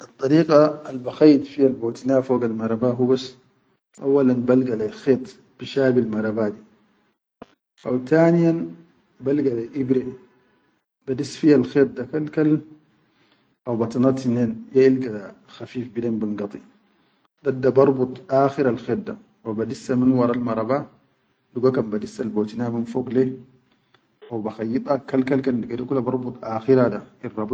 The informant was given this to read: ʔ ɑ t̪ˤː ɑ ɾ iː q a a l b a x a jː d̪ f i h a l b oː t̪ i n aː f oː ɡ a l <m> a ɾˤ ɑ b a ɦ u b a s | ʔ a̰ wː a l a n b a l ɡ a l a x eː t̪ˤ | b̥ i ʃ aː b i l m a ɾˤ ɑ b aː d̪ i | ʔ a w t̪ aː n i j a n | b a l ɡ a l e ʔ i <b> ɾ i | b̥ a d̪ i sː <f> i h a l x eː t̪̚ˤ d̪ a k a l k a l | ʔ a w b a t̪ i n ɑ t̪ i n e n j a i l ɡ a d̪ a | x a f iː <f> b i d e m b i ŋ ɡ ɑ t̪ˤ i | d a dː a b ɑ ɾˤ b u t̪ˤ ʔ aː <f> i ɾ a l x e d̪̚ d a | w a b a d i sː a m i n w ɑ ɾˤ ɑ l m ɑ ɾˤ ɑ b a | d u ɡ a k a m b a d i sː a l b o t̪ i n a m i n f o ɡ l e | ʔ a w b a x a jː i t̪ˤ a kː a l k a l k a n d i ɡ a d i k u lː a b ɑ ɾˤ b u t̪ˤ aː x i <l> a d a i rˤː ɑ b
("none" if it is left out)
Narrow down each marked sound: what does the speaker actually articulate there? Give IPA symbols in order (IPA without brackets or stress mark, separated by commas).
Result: m, b, f, f, x, ɾ